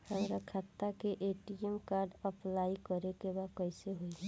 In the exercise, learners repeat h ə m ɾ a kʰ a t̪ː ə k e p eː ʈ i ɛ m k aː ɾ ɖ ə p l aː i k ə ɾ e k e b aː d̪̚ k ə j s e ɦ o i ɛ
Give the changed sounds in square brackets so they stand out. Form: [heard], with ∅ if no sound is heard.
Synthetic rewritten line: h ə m ɾ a kʰ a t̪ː [a] k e [ʔ] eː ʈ i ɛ m k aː ɾ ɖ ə p l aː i k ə ɾ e k e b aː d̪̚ k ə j s e ɦ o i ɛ